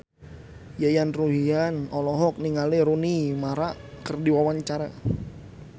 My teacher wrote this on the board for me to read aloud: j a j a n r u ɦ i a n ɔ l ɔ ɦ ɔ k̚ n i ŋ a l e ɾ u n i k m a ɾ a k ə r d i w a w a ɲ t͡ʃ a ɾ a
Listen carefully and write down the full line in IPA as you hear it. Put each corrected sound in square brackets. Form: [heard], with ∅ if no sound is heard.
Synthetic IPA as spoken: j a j a n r u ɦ i a n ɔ l ɔ ɦ ɔ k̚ n i ŋ a l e ɾ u n i [∅] m a ɾ a k ə r d i w a w a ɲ t͡ʃ a ɾ a